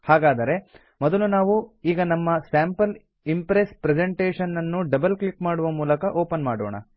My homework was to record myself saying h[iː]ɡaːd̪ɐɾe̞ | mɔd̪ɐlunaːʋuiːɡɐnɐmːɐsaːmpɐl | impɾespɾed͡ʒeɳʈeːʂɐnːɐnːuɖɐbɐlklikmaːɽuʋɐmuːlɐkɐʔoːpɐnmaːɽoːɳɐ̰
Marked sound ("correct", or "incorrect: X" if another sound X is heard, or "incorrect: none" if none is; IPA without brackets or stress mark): incorrect: aː